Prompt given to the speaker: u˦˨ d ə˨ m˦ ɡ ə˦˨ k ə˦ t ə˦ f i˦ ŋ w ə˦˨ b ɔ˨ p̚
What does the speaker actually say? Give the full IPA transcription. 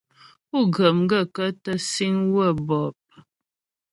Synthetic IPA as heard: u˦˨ ɡ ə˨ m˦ ɡ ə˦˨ k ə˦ t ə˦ s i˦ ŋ w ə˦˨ b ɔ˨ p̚